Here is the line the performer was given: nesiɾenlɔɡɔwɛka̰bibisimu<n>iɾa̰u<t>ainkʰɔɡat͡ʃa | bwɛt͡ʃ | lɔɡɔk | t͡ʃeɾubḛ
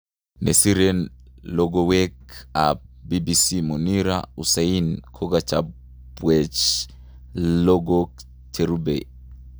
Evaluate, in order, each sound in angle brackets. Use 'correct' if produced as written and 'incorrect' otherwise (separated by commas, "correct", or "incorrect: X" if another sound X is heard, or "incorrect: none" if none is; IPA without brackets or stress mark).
correct, incorrect: s